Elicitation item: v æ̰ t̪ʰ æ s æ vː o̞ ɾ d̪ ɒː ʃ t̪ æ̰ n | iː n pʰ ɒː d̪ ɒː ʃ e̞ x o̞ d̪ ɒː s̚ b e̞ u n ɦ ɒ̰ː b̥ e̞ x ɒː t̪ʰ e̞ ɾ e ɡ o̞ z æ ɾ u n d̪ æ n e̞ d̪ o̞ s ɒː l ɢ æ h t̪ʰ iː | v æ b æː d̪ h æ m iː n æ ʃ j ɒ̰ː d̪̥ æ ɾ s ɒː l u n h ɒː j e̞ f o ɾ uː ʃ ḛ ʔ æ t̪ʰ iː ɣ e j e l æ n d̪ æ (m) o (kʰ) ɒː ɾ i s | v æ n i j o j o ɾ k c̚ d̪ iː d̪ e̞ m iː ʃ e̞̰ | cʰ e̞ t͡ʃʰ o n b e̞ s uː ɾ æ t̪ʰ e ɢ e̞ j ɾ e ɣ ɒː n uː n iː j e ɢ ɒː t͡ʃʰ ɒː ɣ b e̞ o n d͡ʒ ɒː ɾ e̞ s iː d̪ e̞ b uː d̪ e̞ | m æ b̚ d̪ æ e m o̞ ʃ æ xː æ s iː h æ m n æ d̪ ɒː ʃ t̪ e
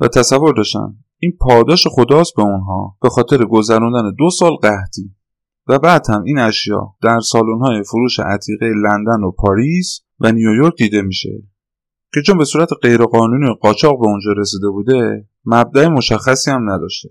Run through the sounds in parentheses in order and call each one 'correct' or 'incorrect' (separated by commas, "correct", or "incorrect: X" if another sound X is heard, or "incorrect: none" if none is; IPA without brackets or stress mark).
incorrect: n, incorrect: pʰ